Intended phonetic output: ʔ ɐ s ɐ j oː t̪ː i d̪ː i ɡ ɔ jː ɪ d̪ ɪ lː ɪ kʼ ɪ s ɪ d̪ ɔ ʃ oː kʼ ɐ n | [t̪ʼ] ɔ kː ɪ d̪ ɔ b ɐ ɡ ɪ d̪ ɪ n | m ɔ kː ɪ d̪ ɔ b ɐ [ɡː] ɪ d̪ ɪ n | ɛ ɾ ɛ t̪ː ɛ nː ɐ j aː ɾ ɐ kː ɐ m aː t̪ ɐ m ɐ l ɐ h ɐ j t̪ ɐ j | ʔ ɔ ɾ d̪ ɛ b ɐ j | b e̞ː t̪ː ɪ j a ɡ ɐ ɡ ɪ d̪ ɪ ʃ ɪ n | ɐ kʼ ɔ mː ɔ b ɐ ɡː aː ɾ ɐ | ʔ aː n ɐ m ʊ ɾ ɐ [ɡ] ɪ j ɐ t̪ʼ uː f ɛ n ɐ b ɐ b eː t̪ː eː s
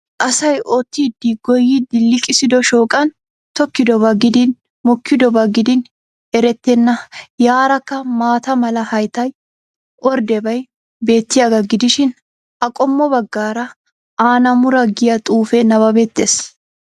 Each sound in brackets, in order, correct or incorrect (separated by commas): incorrect, incorrect, correct